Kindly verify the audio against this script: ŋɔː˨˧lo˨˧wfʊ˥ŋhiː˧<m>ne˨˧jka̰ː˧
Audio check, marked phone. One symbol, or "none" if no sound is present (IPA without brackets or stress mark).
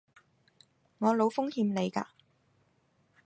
m